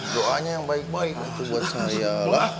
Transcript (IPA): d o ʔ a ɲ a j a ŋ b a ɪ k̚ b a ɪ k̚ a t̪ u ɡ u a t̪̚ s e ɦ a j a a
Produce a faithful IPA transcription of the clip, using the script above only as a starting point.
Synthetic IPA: d o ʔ a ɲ a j a ŋ b a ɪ k̚ b a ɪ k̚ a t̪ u b u a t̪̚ s a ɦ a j a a